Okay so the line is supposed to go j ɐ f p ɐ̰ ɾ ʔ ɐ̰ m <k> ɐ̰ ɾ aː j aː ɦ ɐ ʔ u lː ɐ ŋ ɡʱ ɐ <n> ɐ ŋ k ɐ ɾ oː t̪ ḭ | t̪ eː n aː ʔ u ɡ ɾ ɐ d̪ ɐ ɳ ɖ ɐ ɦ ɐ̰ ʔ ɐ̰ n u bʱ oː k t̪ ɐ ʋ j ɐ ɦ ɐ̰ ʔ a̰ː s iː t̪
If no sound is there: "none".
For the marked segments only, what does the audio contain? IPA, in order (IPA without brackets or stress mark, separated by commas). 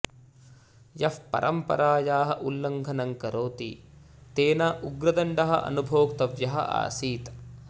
p, n